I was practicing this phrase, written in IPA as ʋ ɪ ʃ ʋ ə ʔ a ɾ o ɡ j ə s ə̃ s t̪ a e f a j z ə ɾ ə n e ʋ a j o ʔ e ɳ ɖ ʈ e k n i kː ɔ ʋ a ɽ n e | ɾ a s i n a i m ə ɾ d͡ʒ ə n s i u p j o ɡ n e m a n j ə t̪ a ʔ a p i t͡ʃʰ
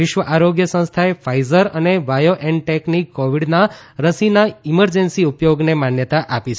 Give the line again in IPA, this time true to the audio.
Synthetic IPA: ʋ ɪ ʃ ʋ ə ʔ a ɾ o ɡ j ə s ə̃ s t̪ʰ a e f a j z ə ɾ ə n e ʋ a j o ʔ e ɳ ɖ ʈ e k n i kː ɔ ʋ i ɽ n a | ɾ ə s i n a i m ə ɾ d͡ʒ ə n s i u p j o ɡ n e m a n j ə t̪ a ʔ a p i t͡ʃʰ